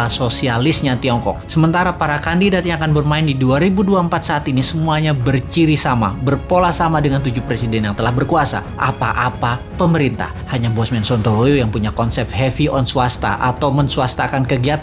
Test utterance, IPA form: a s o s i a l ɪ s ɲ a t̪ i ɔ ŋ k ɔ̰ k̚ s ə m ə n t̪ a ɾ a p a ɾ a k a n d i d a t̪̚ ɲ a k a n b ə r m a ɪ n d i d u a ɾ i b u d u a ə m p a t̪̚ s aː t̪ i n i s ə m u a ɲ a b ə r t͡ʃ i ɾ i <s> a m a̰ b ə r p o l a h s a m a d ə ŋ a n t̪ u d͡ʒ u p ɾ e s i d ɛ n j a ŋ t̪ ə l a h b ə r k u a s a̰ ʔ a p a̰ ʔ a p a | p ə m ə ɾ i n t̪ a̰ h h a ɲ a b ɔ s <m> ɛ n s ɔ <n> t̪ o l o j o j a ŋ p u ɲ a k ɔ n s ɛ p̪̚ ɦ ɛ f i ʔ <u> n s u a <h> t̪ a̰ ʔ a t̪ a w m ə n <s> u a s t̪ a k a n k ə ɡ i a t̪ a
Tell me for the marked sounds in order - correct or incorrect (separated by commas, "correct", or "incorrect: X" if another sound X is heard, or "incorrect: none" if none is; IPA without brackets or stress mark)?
correct, correct, correct, incorrect: ɔ, incorrect: s, correct